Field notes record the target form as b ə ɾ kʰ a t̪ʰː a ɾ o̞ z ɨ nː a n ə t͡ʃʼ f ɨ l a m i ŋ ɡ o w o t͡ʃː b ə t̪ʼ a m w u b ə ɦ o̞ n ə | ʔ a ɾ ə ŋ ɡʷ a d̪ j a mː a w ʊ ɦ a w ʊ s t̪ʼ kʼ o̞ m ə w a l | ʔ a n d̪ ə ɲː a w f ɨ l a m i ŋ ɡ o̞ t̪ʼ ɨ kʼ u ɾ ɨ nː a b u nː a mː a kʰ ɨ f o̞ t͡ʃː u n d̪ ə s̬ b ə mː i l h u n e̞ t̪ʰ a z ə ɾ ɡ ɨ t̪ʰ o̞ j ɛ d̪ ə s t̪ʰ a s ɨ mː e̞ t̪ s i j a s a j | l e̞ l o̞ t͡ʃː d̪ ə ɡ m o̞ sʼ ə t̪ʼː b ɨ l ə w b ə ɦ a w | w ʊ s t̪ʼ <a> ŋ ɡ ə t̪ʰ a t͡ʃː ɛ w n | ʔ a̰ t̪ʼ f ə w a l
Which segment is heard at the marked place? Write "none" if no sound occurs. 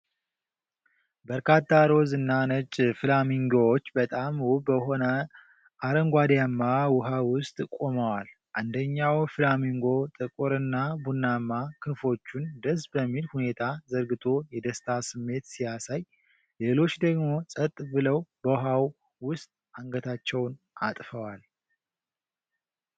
a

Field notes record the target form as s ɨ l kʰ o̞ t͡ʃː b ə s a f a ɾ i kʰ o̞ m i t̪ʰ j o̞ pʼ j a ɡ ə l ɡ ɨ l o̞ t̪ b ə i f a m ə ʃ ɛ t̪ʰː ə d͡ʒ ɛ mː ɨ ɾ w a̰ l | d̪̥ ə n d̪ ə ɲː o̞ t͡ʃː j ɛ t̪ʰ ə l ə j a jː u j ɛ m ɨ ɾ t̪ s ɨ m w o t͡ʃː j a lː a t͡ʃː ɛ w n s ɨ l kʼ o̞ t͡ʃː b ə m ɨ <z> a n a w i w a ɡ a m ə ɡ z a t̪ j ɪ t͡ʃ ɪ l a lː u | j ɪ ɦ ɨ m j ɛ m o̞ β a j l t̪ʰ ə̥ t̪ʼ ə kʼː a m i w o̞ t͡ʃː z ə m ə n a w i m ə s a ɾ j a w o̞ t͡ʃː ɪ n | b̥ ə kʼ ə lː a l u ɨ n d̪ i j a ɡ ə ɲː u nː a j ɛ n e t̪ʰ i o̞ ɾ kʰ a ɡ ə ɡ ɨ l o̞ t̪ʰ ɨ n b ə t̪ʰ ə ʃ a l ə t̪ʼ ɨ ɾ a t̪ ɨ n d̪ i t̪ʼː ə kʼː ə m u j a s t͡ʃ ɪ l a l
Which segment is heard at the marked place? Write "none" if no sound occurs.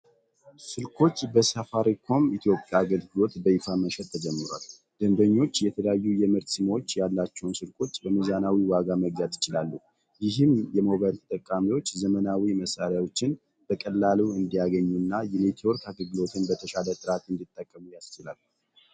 z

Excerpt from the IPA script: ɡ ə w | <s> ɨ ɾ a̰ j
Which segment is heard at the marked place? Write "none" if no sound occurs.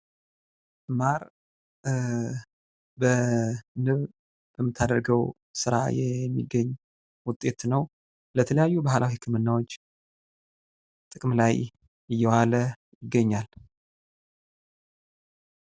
s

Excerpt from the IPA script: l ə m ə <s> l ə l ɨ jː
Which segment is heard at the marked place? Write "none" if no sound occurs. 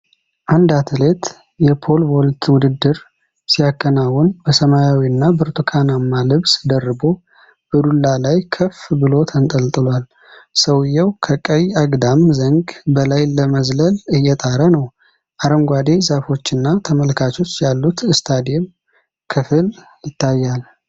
z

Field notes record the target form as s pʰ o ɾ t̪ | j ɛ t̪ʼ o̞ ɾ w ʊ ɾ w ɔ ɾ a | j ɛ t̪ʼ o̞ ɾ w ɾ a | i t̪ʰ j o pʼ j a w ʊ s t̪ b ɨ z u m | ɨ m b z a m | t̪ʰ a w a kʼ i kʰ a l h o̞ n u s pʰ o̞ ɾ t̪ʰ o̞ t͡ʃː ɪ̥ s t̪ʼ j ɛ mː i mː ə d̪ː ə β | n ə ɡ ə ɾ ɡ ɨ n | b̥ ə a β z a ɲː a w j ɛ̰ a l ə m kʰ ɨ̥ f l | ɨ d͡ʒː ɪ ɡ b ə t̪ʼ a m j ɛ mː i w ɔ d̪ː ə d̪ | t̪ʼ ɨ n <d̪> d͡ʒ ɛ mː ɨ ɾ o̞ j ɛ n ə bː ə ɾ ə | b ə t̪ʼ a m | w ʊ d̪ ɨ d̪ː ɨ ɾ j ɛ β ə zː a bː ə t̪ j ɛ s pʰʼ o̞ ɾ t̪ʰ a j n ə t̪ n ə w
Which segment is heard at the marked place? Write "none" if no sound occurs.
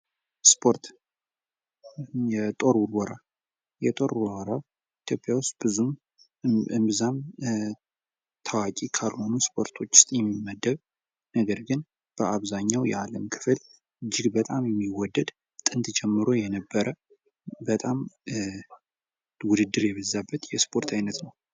t̪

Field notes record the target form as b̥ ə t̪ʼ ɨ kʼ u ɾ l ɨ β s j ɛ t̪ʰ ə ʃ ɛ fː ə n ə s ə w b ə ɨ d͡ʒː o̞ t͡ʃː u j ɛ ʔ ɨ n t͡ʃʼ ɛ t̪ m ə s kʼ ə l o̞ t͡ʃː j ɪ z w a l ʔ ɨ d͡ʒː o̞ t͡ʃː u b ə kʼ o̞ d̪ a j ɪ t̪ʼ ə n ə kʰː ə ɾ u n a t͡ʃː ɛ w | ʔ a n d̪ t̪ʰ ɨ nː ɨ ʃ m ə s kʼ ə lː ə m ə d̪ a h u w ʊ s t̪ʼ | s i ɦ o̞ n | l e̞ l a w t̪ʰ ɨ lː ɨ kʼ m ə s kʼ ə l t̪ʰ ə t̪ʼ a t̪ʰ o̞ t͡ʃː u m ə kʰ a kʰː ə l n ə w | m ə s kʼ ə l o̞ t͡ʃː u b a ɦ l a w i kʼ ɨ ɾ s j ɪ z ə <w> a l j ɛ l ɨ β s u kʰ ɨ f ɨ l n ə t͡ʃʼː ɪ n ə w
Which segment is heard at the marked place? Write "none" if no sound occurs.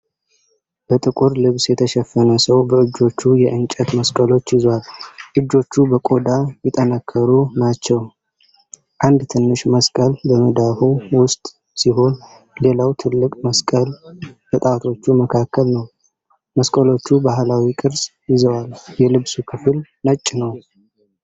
w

